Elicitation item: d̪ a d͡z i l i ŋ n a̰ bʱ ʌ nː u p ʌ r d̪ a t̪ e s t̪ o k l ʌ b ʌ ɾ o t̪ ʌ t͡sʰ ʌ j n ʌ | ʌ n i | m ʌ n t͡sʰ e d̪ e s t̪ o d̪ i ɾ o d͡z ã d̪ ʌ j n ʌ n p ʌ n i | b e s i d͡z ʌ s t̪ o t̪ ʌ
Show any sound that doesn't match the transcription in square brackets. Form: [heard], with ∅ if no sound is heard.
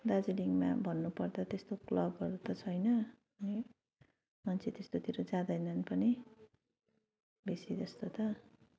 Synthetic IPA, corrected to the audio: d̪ a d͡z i l i ŋ [m] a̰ bʱ ʌ nː u p ʌ r d̪ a t̪ e s t̪ o k l ʌ b ʌ ɾ [u] t̪ ʌ t͡sʰ ʌ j n ʌ | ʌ n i | m ʌ n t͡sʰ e [t̪] e s t̪ o [t̪] i ɾ o d͡z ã d̪ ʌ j n ʌ n p ʌ n i | b e s i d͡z ʌ s t̪ o t̪ ʌ